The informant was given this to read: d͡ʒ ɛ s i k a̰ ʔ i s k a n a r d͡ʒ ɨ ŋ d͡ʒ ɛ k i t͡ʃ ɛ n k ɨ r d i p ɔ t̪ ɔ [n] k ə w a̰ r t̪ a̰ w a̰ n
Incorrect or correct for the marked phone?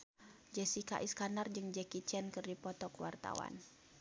incorrect: none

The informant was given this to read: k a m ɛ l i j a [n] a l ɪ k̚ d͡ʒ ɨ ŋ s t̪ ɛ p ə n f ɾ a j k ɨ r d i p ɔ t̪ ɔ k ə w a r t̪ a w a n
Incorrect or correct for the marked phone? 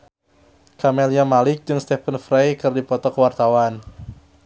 incorrect: m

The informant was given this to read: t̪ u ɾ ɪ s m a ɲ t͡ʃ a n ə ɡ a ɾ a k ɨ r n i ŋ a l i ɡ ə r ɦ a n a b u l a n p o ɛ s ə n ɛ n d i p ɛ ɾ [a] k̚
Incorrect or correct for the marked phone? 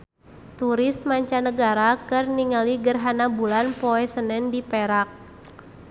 correct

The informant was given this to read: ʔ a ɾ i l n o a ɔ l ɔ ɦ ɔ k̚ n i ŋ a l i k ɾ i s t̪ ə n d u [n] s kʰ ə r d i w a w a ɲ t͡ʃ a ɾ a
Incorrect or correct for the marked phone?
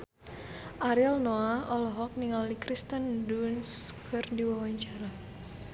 correct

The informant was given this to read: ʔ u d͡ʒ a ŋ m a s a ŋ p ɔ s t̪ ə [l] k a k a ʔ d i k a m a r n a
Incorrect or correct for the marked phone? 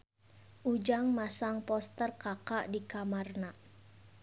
incorrect: r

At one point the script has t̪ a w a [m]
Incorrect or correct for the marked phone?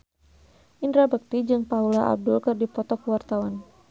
incorrect: n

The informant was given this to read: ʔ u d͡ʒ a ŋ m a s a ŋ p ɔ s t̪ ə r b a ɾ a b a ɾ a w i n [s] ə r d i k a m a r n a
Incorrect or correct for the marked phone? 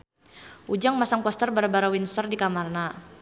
correct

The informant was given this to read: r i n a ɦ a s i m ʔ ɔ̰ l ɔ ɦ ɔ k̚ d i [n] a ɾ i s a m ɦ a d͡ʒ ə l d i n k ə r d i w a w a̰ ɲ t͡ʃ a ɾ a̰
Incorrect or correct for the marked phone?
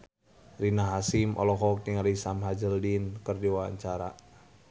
incorrect: ŋ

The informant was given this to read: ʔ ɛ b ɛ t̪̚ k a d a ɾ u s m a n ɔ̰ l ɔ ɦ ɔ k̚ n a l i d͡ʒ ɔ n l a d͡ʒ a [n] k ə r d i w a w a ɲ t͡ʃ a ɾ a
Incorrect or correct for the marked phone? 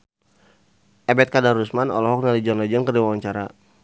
correct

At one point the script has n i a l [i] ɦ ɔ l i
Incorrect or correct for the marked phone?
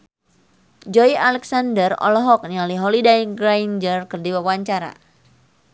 correct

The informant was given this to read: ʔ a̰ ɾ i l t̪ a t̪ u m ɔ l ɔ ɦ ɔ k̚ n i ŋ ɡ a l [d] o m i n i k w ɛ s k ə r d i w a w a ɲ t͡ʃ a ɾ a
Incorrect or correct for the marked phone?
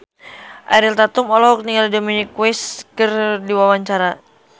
correct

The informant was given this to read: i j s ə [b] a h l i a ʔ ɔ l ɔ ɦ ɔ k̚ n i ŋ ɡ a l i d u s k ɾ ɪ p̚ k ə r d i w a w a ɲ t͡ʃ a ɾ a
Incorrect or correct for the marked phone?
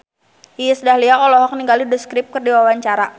incorrect: d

